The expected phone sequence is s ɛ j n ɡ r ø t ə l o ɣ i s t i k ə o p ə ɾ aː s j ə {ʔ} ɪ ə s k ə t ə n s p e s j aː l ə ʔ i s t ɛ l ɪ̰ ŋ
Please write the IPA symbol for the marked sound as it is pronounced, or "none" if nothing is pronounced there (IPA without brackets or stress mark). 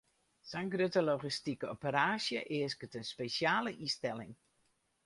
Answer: ʔ